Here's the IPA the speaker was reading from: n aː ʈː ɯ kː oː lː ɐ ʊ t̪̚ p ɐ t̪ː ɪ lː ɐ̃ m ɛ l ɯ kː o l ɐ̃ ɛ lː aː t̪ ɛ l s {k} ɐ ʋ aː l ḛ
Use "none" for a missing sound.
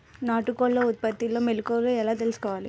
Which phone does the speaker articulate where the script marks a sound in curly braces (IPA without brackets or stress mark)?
k